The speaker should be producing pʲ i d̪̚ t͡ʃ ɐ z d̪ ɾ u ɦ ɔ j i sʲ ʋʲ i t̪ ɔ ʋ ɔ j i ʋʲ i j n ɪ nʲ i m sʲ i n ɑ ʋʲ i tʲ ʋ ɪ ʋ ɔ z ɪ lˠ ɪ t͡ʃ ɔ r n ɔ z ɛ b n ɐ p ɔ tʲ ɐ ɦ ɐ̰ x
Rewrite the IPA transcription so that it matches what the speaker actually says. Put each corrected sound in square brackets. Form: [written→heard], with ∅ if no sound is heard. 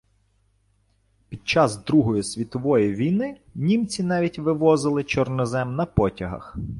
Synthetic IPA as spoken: pʲ i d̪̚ t͡ʃ [ɐ→ɑ] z d̪ ɾ u ɦ ɔ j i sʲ ʋʲ i t̪ ɔ ʋ ɔ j i ʋʲ i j n ɪ nʲ i m [sʲ→t͡sʲ] i n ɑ ʋʲ i tʲ ʋ ɪ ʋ ɔ z ɪ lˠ ɪ t͡ʃ ɔ r n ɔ z ɛ [b→m] n ɐ p ɔ tʲ ɐ ɦ ɐ̰ x